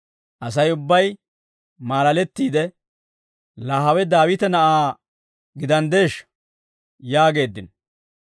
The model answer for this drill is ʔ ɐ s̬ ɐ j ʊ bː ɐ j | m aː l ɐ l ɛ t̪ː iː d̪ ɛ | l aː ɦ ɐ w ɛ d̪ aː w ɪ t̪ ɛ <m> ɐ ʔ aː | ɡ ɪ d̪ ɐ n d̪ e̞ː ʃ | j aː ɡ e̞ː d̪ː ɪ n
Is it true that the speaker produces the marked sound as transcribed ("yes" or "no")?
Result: no